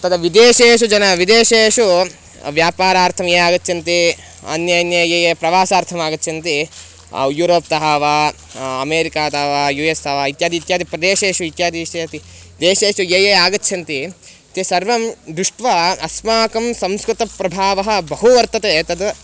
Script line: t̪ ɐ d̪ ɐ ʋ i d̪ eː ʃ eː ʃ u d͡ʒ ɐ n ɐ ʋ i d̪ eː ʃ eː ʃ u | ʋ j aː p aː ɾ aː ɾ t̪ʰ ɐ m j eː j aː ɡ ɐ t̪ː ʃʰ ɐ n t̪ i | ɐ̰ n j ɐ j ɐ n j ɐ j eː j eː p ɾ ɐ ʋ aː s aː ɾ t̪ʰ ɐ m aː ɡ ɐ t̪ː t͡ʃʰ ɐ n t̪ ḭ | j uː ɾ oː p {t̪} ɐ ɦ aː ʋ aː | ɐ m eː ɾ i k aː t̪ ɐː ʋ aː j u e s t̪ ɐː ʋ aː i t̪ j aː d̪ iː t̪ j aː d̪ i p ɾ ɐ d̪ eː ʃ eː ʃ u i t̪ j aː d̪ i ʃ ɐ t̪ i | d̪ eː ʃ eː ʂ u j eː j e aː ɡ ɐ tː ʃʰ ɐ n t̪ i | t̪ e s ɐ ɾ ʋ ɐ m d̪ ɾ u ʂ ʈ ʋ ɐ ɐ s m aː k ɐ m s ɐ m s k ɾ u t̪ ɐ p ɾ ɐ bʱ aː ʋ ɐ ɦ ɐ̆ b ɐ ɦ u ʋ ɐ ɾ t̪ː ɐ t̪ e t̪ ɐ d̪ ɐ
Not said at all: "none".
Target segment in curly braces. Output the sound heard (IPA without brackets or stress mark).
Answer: t̪